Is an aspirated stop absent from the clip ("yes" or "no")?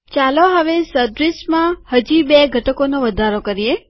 yes